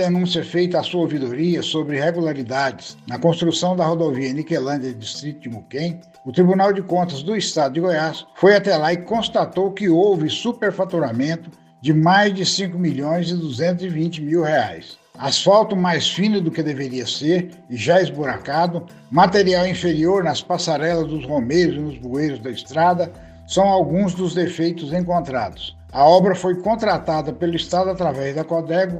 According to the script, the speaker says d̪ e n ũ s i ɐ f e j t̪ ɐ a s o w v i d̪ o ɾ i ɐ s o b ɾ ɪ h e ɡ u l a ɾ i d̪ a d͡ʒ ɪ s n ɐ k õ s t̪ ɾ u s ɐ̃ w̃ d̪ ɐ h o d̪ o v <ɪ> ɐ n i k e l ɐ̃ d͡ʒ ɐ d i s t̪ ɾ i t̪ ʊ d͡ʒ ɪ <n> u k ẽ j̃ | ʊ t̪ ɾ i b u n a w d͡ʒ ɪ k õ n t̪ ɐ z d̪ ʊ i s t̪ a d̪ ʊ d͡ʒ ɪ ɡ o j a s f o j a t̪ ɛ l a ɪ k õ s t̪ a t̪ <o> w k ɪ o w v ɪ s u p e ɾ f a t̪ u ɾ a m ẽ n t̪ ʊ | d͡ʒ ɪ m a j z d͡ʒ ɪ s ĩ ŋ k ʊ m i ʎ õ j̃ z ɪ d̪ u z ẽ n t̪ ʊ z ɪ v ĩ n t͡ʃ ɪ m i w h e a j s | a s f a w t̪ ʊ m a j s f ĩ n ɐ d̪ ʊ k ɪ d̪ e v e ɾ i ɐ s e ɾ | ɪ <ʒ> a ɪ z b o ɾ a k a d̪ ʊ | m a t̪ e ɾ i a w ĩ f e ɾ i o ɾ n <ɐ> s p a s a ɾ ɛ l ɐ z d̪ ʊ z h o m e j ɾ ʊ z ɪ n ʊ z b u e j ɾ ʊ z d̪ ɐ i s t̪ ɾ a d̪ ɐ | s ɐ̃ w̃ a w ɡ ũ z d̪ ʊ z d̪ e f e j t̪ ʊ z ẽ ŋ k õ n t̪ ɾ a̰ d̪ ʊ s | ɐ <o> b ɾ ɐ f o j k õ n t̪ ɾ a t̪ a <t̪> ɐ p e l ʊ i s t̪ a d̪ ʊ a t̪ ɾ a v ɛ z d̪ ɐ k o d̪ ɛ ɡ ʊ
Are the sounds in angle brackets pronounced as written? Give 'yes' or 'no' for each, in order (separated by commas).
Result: no, no, yes, yes, yes, no, no